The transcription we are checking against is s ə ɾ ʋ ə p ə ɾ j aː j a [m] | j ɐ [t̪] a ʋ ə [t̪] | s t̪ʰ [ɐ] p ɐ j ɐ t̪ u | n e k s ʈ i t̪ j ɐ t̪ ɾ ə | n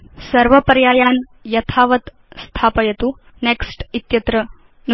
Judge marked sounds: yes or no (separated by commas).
no, no, yes, no